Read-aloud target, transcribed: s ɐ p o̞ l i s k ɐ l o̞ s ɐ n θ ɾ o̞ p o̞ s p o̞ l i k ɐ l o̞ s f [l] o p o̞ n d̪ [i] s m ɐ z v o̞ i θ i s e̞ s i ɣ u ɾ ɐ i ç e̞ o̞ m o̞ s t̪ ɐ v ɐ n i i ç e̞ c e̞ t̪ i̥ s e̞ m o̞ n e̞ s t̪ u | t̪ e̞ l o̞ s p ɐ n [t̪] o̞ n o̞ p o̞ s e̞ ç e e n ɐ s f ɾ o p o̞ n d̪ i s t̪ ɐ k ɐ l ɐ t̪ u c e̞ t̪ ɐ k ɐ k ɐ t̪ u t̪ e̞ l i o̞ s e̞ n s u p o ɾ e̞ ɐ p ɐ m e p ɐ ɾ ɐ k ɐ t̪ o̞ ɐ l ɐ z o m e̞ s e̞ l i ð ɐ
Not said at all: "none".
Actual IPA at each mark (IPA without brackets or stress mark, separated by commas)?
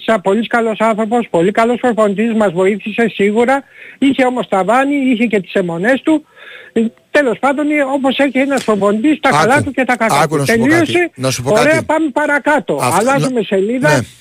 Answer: ɾ, i, d̪